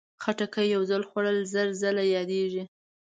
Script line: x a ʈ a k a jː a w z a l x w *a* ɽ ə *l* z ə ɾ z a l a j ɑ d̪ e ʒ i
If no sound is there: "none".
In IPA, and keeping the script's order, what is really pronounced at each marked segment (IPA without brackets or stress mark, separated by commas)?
a, l